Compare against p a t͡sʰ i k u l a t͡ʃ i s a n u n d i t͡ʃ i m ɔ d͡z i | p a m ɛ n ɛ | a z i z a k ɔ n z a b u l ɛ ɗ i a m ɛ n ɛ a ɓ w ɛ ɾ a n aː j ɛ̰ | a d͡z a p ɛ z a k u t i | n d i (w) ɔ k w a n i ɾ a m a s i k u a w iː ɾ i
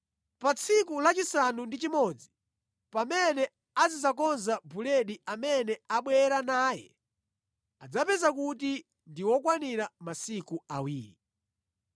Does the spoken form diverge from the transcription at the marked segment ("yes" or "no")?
no